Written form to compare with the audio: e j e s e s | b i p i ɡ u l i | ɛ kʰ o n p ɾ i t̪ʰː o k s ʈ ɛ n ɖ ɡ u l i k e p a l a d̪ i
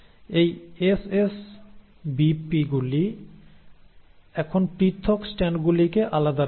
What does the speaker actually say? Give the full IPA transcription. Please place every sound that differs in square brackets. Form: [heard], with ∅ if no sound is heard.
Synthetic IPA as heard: e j e s e s | b i p i ɡ u l i | ɛ kʰ o n p ɾ i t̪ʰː o k s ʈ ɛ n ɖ ɡ u l i k e [ʔ] a l a d̪ [a]

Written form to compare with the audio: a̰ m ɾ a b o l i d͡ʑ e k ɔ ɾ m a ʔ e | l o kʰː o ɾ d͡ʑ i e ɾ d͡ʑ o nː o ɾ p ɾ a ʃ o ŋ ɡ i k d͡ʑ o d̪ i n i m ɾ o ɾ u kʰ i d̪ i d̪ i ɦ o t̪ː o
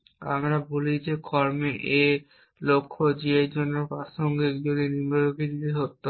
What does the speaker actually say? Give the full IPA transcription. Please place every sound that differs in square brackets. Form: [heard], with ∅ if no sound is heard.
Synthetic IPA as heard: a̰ m ɾ a b o l i d͡ʑ e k ɔ ɾ m [e] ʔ e | l o kʰː o [∅] d͡ʑ i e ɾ d͡ʑ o nː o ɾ p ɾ a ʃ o ŋ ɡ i k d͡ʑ o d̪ i n i m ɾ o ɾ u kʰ i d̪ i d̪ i ɦ o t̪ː o

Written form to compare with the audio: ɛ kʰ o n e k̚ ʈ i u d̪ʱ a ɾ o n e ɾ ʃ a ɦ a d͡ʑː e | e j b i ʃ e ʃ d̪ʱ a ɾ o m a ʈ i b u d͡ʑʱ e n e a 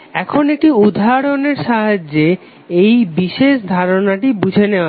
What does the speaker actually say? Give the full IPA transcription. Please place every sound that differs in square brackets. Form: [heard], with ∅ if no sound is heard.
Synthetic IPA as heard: ɛ kʰ o n e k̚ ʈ i u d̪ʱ a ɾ o n e ɾ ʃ a ɦ a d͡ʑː e | e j b i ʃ e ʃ d̪ʱ a ɾ o [n] a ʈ i b u d͡ʑʱ e n e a

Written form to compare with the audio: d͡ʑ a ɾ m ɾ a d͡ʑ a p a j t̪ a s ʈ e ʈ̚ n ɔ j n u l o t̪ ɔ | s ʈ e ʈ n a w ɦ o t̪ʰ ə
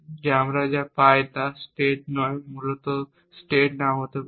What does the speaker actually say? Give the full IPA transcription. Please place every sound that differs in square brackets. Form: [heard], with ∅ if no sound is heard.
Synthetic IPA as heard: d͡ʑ a [∅] m ɾ a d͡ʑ a p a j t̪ a s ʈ e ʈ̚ n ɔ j [m] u l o t̪ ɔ | s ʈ e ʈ n a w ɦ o [t̪] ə

